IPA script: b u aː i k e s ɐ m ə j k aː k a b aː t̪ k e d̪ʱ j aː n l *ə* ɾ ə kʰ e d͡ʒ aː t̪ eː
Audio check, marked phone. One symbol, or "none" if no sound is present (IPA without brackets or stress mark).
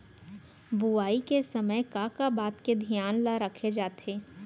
a